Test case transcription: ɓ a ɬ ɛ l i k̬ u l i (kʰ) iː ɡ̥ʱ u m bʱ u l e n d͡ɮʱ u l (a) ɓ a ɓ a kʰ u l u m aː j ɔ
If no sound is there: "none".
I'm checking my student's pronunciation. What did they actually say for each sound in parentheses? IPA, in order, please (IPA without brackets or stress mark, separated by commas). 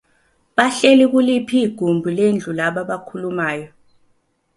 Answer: pʰ, a